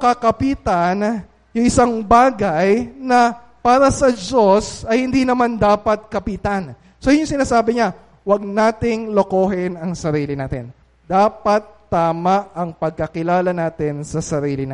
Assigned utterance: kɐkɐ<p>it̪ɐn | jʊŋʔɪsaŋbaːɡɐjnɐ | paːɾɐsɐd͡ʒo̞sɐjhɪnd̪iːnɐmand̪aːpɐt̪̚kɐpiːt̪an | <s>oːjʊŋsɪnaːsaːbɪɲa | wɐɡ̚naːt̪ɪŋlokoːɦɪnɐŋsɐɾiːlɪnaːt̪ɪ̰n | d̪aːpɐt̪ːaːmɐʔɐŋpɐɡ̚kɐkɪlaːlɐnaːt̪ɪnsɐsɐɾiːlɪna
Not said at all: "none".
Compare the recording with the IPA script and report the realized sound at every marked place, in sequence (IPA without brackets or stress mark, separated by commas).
p, s